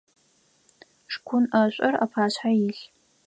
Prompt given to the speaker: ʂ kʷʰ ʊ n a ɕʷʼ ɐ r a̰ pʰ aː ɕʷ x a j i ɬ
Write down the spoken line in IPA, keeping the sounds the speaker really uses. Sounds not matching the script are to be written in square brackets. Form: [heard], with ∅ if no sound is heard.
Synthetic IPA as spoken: ʂ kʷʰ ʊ n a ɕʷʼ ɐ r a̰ pʰ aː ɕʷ [ħ] a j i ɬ